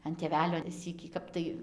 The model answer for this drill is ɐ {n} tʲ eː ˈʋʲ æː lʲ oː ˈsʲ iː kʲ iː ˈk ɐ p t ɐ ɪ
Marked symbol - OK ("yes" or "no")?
yes